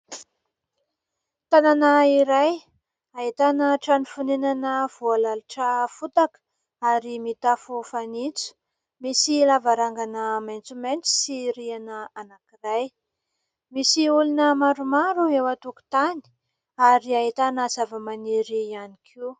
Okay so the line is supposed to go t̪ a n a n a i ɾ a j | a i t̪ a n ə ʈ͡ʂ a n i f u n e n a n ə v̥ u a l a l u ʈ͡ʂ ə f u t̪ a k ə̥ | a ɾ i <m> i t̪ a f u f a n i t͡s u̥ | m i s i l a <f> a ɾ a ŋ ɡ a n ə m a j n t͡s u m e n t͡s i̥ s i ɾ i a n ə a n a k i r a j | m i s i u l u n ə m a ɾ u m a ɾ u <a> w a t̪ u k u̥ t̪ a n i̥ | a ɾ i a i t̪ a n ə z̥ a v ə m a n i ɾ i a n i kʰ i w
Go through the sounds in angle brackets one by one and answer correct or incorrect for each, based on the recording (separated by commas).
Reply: correct, incorrect, incorrect